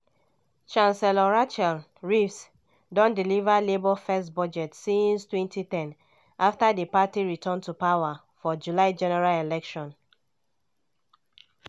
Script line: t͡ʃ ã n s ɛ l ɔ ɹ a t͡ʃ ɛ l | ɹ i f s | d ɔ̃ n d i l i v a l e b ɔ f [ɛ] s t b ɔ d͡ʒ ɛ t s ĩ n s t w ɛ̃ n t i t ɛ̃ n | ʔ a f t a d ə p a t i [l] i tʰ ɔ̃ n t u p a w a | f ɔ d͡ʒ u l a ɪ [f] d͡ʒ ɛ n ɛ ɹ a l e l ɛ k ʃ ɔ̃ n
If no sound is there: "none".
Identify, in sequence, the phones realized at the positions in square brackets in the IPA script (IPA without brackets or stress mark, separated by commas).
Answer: ɛ, ɹ, none